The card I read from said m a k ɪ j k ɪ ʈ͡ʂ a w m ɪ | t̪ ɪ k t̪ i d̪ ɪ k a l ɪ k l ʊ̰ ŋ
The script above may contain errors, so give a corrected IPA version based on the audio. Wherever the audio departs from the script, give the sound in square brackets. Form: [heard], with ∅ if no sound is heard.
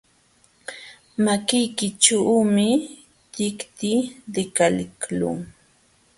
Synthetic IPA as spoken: m a k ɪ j k ɪ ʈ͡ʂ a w m ɪ | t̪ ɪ k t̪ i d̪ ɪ k a l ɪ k l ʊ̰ ŋ

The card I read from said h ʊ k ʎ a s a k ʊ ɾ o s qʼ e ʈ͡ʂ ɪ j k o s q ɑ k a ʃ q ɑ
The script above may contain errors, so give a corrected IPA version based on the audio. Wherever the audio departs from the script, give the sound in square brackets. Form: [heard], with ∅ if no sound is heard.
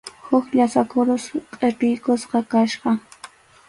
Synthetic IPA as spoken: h ʊ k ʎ a s a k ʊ ɾ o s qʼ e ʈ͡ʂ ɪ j k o s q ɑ k a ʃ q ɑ

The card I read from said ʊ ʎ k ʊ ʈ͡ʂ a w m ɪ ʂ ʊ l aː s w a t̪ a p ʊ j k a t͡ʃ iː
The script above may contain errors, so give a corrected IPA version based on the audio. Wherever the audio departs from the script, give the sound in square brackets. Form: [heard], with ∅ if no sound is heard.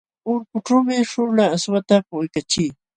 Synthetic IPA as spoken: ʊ [ɾ] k ʊ ʈ͡ʂ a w m ɪ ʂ ʊ l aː s w a t̪ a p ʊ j k a t͡ʃ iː

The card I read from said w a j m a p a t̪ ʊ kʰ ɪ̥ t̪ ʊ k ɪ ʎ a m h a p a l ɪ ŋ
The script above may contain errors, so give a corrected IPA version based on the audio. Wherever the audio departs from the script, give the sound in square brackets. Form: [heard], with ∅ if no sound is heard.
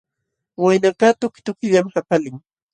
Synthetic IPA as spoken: w a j [n] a [k] a t̪ ʊ [k] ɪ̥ t̪ ʊ k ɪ ʎ a m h a p a l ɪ ŋ

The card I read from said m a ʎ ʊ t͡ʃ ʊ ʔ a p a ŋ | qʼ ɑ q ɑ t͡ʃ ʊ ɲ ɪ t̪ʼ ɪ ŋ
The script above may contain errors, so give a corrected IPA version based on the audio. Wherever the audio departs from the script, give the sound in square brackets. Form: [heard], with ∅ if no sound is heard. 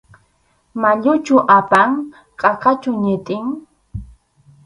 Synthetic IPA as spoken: m a ʎ ʊ t͡ʃ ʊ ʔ a p a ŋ | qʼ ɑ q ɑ t͡ʃ ʊ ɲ ɪ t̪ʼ ɪ ŋ

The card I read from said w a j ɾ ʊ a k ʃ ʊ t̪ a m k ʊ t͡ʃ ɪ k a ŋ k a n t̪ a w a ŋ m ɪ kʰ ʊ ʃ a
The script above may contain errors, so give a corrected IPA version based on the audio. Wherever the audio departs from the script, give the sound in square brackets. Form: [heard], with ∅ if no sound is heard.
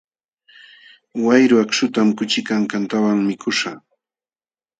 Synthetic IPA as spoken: w a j ɾ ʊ a k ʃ ʊ t̪ a m k ʊ t͡ʃ ɪ k a ŋ k a n t̪ a w a ŋ m ɪ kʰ ʊ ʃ a

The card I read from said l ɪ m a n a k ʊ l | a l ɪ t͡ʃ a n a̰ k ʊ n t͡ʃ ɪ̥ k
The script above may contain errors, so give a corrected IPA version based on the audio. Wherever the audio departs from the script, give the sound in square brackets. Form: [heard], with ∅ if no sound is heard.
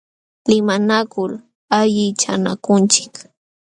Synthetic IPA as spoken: l ɪ m a n a k ʊ l | a [ʎ] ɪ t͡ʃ a n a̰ k ʊ n t͡ʃ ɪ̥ k

